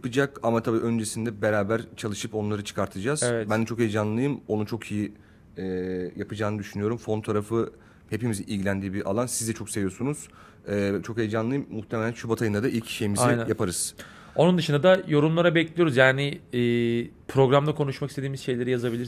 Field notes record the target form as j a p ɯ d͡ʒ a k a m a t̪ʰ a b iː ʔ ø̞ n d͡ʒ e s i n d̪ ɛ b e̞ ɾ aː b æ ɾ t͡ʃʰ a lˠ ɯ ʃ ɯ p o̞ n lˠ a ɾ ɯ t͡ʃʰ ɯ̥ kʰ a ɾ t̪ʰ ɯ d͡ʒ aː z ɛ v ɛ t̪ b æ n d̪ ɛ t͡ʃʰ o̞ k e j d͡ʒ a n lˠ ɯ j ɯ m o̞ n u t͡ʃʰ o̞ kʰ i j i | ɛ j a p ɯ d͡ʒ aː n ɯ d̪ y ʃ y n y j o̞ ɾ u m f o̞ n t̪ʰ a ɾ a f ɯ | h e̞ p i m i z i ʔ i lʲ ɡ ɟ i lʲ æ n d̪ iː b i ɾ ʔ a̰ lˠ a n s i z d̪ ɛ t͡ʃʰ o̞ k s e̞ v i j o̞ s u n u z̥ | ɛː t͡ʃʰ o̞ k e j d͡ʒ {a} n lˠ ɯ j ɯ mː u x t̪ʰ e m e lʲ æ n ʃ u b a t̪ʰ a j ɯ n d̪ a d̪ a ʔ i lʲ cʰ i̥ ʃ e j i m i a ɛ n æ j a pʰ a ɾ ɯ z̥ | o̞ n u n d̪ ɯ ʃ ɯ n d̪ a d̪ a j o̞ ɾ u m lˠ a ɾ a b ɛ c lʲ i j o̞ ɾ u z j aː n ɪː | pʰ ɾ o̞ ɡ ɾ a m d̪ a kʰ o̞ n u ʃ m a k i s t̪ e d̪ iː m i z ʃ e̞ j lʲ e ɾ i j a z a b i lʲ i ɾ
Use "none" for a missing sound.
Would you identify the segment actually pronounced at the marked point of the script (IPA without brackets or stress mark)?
a